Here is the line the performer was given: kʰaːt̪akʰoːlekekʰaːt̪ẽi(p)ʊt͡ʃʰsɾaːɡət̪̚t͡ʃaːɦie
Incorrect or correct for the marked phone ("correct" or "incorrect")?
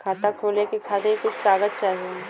incorrect